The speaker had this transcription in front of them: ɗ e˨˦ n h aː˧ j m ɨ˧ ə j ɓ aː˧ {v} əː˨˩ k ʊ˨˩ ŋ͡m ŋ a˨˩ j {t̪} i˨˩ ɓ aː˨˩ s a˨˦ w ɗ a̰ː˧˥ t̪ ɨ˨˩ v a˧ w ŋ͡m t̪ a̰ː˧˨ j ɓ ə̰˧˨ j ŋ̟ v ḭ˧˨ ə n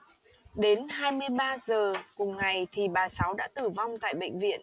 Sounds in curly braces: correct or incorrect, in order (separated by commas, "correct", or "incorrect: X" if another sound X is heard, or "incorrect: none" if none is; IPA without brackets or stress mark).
incorrect: z, incorrect: t̪ʰ